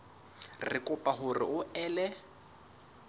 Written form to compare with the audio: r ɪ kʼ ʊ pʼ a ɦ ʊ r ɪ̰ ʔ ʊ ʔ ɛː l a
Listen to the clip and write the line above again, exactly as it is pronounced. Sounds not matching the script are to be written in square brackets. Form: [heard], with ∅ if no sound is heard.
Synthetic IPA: r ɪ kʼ ʊ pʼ a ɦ ʊ r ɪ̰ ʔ ʊ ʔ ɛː l [ɛ]